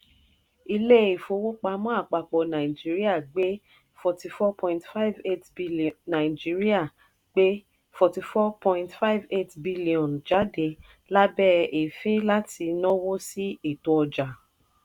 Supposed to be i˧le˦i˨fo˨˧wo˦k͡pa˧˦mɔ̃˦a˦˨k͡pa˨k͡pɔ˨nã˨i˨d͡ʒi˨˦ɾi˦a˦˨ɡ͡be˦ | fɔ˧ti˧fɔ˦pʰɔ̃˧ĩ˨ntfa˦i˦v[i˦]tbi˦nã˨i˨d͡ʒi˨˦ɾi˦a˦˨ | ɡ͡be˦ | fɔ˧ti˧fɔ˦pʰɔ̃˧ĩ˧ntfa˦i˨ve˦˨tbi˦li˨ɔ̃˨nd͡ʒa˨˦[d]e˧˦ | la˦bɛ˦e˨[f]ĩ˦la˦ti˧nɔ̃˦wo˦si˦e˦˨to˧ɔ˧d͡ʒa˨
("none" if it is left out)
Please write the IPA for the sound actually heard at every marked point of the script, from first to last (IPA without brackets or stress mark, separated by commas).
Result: e˦, d, f